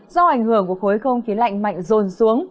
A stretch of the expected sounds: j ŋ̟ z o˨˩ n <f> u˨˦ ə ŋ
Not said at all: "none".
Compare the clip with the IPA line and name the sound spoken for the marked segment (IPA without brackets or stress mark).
s